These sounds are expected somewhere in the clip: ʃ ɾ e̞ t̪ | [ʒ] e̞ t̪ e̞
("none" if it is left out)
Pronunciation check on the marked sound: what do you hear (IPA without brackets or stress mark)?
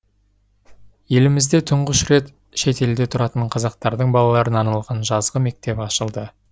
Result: ʃ